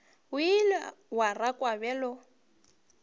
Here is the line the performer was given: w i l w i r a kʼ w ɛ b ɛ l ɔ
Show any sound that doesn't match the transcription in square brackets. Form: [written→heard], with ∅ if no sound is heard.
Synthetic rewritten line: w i l w [i→a] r a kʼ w [ɛ→a] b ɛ l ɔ

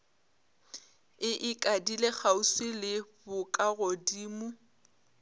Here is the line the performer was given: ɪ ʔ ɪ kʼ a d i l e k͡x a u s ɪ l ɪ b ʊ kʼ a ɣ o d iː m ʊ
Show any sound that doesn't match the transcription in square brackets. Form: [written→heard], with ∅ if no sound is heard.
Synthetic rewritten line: ɪ ʔ ɪ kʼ a d i l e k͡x a u s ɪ l ɪ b ʊ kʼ a ɣ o d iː m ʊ

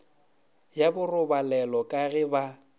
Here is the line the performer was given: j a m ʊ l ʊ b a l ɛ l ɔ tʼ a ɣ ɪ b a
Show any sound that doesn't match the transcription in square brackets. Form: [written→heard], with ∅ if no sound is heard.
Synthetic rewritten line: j a [m→b] ʊ [l→r] ʊ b a l ɛ l ɔ [tʼ→kʼ] a ɣ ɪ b a

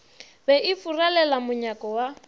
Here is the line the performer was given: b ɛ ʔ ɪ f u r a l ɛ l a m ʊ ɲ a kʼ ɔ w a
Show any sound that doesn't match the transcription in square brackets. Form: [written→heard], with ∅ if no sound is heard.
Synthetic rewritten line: b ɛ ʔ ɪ f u r a l ɛ l a m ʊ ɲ a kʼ ɔ w a

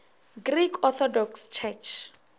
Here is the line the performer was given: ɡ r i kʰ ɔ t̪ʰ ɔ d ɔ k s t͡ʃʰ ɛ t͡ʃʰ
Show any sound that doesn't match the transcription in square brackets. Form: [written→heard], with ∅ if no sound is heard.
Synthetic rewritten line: ɡ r i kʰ ɔ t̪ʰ ɔ d ɔ k s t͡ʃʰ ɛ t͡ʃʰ

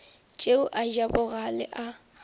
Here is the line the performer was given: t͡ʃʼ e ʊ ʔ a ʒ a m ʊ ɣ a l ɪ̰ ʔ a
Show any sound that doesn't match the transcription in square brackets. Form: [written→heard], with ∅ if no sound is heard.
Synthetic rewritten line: t͡ʃʼ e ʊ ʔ a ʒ a [m→b] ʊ ɣ a l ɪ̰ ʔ a

